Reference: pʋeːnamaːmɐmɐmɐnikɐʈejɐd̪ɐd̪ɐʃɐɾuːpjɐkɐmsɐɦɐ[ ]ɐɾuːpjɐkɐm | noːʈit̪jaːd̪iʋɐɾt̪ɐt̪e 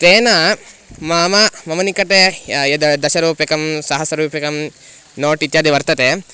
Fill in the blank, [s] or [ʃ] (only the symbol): s